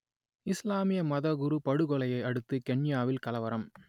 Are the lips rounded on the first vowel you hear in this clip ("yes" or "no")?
no